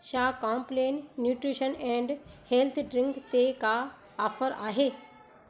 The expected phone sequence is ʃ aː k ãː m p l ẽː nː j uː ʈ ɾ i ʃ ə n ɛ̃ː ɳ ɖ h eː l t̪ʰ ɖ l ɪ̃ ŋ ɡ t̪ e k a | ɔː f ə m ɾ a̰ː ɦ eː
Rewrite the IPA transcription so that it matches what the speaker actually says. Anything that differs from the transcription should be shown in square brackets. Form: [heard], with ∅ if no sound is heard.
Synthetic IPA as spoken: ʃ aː k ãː m p l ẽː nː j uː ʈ ɾ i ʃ ə n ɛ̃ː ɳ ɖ h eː l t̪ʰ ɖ [ɾ] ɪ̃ ŋ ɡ t̪ e k a | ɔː f ə [∅] ɾ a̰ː ɦ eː